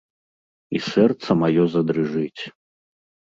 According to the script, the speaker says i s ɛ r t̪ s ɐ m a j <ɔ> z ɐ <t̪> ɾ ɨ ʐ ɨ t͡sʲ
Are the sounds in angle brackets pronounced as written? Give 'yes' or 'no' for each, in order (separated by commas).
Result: yes, no